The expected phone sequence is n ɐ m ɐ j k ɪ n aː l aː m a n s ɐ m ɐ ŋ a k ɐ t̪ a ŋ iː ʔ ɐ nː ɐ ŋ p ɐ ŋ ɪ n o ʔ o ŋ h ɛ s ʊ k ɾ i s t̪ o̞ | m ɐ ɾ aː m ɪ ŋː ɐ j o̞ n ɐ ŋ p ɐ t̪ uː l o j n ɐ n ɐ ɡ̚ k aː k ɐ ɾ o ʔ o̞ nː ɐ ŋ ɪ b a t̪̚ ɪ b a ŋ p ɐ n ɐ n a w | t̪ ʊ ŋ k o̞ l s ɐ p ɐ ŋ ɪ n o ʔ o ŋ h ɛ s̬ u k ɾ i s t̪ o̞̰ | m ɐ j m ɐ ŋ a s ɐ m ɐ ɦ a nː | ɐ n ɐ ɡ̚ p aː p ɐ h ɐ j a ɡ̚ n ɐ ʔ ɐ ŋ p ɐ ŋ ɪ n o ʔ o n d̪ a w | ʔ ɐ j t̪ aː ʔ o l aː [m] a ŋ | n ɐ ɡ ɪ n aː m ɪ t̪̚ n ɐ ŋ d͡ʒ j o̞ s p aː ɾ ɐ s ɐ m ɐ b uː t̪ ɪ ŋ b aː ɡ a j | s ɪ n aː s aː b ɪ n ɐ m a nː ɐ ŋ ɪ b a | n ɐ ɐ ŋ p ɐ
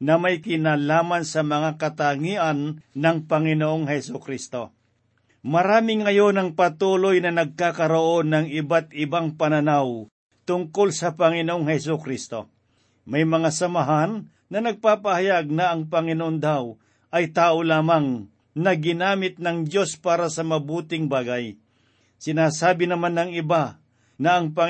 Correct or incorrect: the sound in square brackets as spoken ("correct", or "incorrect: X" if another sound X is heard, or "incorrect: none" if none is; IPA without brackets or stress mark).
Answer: correct